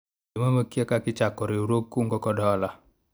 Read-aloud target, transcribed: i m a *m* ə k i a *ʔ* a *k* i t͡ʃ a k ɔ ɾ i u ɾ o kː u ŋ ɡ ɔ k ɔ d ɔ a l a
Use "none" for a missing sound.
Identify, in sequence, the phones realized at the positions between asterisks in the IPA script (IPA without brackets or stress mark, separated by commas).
m, k, k